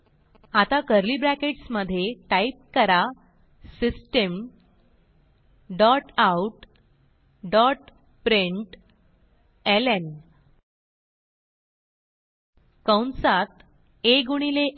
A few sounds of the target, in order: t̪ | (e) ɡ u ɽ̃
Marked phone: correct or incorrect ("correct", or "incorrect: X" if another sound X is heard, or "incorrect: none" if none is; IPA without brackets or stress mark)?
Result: correct